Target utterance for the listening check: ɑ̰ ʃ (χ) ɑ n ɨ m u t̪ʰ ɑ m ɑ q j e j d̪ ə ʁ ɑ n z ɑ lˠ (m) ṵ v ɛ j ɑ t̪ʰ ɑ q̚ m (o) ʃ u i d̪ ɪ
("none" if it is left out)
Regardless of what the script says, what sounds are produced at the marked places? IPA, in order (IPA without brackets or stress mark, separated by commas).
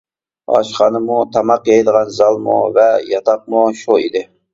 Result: χ, m, u